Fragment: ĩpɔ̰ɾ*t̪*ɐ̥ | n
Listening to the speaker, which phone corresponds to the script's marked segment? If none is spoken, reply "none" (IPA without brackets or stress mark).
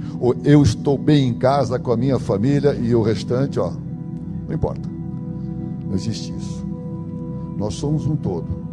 t̪